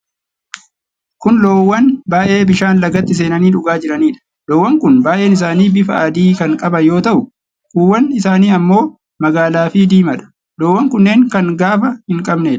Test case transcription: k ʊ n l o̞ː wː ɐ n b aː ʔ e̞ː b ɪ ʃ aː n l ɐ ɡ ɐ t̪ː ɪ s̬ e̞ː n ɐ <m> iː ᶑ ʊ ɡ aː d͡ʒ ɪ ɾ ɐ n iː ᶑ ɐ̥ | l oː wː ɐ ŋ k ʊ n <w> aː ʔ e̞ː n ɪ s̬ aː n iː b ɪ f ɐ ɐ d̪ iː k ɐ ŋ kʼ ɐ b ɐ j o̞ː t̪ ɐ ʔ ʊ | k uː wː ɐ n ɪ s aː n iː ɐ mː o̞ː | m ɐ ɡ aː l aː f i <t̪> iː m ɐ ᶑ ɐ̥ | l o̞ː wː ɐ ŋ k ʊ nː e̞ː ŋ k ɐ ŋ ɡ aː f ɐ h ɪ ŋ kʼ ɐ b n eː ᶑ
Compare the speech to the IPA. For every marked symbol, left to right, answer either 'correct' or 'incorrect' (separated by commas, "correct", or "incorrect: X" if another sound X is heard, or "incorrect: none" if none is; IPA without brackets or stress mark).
incorrect: n, incorrect: b, incorrect: d̪